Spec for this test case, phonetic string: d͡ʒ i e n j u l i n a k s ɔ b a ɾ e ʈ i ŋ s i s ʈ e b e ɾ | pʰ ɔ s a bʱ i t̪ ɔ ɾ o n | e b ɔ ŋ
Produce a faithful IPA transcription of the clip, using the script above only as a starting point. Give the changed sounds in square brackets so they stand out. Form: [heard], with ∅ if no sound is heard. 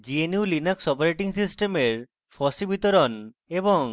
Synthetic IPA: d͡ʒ i e n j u l i n a k s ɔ [p] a ɾ e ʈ i ŋ s i s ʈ e [m] e ɾ | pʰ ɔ s [i] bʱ i t̪ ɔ ɾ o n | e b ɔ ŋ